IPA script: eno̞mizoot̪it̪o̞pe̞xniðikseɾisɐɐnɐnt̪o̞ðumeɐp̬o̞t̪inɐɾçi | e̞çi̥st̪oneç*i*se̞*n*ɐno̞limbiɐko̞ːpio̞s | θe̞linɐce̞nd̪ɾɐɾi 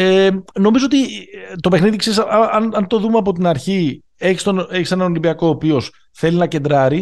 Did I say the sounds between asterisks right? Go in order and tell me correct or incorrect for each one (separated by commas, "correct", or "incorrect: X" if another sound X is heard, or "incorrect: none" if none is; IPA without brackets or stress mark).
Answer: correct, correct